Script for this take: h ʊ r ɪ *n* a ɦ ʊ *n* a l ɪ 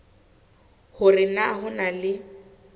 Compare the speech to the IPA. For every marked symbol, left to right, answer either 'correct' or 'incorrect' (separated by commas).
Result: correct, correct